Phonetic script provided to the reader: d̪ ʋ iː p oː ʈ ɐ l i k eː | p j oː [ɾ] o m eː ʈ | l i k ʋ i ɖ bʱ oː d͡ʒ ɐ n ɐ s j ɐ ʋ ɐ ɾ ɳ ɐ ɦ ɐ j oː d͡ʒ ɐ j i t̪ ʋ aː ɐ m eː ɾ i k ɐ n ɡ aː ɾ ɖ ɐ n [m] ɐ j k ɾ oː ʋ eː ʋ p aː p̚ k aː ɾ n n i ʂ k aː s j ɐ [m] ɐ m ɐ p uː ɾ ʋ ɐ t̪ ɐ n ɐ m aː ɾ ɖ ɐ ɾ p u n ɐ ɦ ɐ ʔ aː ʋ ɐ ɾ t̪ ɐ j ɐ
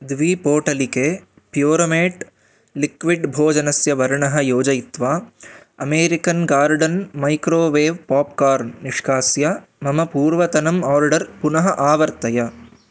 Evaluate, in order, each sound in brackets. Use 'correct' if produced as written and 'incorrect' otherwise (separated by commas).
correct, correct, correct